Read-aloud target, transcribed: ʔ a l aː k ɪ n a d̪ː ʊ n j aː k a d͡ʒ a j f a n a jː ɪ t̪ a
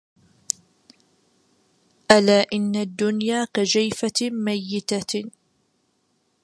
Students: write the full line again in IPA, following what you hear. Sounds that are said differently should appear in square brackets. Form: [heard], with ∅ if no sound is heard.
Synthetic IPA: ʔ a l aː [ʔ] ɪ [nː] a d̪ː ʊ n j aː k a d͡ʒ a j f a [m] a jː ɪ t̪ a